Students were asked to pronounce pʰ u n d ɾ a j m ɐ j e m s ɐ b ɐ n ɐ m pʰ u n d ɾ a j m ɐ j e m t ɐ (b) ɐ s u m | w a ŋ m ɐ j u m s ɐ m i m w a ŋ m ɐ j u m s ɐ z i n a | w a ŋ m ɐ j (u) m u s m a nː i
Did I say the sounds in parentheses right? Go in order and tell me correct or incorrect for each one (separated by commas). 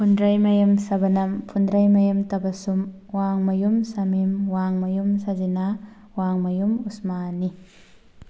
correct, correct